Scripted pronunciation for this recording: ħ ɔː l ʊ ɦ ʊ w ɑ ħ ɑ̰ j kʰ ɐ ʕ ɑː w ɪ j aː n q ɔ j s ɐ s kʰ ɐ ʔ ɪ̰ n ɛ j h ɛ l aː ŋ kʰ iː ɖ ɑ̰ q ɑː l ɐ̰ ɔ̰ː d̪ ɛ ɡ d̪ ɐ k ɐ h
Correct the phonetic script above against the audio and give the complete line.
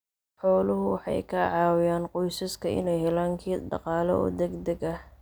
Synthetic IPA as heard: ħ ɔː l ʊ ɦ ʊ w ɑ ħ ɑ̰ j kʰ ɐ ʕ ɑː w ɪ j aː n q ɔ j s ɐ s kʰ ɐ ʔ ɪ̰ n ɛ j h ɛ l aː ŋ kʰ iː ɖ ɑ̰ q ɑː l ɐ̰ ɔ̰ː d̪ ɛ ɡ d̪ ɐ ɡ ɐ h